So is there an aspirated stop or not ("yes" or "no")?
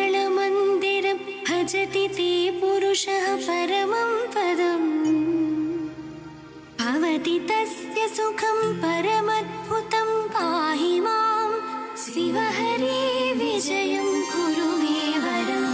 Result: yes